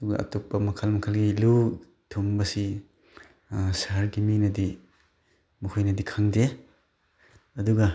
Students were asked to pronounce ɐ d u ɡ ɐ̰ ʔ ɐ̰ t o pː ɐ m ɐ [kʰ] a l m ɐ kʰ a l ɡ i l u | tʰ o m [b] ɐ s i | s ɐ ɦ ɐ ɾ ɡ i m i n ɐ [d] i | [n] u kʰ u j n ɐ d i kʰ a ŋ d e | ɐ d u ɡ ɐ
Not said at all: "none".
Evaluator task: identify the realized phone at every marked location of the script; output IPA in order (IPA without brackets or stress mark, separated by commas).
kʰ, b, d, m